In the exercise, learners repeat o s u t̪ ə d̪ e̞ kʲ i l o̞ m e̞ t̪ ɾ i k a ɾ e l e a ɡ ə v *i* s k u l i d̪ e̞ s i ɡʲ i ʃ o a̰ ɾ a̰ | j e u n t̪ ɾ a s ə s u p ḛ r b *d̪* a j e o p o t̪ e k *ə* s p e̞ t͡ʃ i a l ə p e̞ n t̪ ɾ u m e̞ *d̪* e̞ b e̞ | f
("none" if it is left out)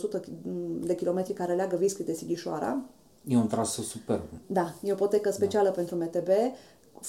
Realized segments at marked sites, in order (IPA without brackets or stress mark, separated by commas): i, d̪, ə, t̪